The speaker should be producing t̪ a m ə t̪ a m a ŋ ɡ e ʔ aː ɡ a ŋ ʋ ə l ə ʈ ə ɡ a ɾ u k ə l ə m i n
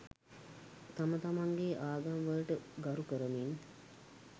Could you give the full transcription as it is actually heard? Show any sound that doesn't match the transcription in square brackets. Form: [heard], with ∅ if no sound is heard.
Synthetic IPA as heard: t̪ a m ə t̪ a m a ŋ ɡ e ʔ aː ɡ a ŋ ʋ ə l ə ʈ ə ɡ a ɾ u k ə [ɾ] ə m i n